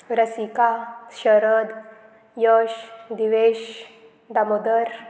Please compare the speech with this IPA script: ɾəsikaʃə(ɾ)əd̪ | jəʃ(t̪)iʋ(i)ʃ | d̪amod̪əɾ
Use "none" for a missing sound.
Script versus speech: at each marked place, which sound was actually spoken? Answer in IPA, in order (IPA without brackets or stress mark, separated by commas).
ɾ, d̪, e